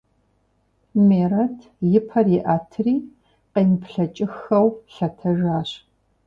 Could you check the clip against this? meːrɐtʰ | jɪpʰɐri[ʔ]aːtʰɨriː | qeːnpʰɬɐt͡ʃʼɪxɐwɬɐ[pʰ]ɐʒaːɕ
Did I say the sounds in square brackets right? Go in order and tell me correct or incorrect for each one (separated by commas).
correct, incorrect